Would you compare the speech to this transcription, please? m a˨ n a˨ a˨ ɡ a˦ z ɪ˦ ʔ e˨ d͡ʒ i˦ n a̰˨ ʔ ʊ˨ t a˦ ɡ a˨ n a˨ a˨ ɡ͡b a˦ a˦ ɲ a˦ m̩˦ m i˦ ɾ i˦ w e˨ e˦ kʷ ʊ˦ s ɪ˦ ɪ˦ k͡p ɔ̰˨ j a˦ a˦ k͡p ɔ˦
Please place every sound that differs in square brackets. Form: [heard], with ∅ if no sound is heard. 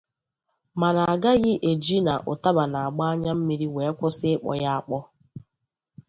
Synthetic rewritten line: m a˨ n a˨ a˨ ɡ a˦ [ɣ] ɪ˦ ʔ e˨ d͡ʒ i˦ n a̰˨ ʔ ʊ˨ t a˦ [b] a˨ n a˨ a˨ ɡ͡b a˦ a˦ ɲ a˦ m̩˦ m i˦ ɾ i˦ w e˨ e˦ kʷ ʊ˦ s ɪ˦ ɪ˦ k͡p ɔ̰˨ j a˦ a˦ k͡p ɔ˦